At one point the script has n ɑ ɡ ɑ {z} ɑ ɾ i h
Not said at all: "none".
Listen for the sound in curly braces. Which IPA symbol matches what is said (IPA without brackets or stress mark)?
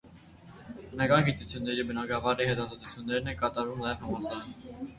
v